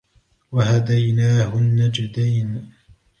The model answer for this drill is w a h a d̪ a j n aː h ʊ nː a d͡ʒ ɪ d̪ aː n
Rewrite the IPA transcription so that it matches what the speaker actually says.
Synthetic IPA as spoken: w a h a d̪ a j n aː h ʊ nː a d͡ʒ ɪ d̪ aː n